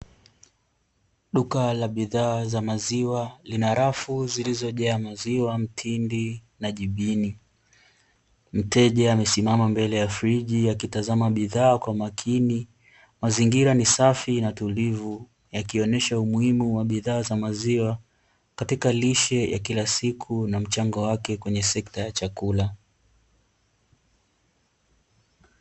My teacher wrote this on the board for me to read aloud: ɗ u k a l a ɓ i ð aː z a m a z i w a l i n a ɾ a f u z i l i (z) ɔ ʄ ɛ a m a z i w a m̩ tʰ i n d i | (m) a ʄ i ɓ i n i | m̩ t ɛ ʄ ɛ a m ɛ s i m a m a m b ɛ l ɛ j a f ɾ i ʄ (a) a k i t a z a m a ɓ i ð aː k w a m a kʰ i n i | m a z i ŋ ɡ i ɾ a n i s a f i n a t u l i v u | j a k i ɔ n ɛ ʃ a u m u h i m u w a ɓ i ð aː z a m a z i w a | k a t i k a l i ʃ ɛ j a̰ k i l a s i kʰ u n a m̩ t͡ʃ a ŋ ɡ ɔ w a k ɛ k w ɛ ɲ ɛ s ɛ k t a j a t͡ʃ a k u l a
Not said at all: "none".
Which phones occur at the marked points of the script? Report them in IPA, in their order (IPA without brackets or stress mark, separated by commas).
z, n, i